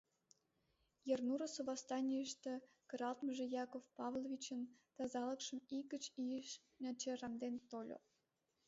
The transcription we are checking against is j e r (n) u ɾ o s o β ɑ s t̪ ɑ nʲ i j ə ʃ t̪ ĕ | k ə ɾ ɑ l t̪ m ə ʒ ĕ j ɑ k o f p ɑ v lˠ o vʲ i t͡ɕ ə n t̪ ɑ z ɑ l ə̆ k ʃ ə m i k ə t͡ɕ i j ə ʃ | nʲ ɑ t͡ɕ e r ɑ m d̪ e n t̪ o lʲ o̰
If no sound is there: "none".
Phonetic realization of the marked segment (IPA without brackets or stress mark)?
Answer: n